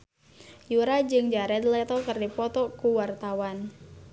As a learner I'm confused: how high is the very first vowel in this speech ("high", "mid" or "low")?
high